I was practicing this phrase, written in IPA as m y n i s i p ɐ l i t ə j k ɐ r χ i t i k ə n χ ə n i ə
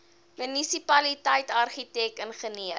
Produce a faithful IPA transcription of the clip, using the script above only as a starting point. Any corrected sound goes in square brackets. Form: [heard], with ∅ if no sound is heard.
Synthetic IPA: m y n i s i p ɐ l i t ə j [t] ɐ r χ i t [ɛ] k ə n χ ə n i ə